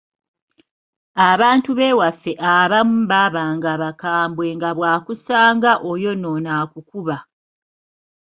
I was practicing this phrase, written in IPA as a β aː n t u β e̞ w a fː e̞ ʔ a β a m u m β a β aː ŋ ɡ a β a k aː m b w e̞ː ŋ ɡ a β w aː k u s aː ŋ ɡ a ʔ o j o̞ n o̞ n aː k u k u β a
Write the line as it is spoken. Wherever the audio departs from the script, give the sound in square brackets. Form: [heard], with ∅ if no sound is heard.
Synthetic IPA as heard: a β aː n t u β e̞ w a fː e̞ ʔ a β a m u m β a β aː ŋ ɡ a β a k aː m b w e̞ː ŋ ɡ a β w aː k u s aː ŋ ɡ a ʔ o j o̞ n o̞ n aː k u k u β a

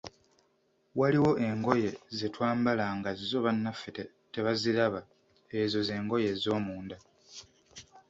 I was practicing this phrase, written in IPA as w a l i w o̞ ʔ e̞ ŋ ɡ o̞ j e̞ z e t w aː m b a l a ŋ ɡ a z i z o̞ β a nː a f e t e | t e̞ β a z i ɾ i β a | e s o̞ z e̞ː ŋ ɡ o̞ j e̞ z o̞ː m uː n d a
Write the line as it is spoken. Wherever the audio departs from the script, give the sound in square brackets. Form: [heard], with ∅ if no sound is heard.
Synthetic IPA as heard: w a l i w o̞ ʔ e̞ ŋ ɡ o̞ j e̞ z e t w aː m b a l a ŋ ɡ a z i z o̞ β a nː a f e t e | t e̞ β a z i ɾ [a] β a | e [z] o̞ z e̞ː ŋ ɡ o̞ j e̞ z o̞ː m uː n d a

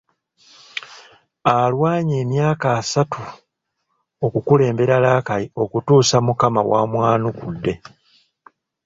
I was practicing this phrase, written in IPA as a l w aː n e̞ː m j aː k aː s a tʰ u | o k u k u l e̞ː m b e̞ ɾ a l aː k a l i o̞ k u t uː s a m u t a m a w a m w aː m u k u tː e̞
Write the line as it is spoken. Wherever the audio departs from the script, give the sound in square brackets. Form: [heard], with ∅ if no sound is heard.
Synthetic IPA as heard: a l w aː [ɲ] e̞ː m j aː k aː s a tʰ u | o k u k u l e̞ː m b e̞ ɾ a l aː k a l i o̞ k u t uː s a m u [k] a m a w a m w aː [n] u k u [dː] e̞

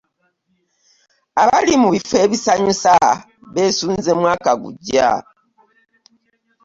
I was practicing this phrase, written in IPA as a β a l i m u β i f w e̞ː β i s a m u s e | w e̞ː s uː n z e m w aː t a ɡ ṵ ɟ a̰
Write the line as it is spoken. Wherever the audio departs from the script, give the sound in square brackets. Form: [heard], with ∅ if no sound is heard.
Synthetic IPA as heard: a β a l i m u β i f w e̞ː β i s a [ɲ] u s [a] | [β] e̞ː s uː n z e m w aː [k] a ɡ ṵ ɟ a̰

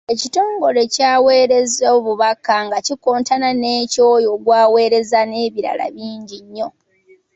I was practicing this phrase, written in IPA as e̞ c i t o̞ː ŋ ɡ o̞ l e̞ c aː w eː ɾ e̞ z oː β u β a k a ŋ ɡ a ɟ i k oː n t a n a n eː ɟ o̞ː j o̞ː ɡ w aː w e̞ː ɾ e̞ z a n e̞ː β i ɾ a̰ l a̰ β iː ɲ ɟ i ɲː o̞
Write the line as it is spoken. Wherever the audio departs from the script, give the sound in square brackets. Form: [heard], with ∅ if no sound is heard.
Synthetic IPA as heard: e̞ c i t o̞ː ŋ ɡ o̞ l e̞ c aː w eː ɾ e̞ z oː β u β a k a ŋ ɡ a [c] i k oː n t a n a n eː [c] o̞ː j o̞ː ɡ w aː w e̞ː ɾ e̞ z a n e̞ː β i ɾ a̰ l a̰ β iː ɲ ɟ i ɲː o̞

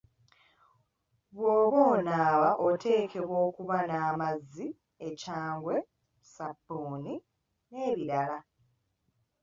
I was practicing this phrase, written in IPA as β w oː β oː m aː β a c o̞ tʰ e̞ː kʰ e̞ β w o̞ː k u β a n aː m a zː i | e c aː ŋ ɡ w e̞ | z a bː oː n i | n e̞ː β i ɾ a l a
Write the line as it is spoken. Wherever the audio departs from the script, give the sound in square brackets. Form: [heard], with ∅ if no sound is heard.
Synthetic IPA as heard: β w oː β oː [n] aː β a [ʔ] o̞ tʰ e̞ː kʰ e̞ β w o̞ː k u β a n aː m a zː i | e c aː ŋ ɡ w e̞ | [s] a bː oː n i | n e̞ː β i ɾ a l a

